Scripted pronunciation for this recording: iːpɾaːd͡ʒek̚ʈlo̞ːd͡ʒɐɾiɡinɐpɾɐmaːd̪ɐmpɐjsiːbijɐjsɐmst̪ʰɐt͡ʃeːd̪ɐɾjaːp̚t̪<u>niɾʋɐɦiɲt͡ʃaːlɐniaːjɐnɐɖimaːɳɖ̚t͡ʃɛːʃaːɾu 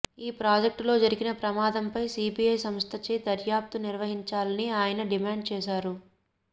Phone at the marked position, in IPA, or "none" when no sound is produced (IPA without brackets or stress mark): u